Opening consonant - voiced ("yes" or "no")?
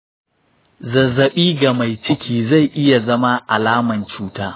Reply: yes